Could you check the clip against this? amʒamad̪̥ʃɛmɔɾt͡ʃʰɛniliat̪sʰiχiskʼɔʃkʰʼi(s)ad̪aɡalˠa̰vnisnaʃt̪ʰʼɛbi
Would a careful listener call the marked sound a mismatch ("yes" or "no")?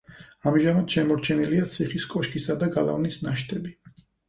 no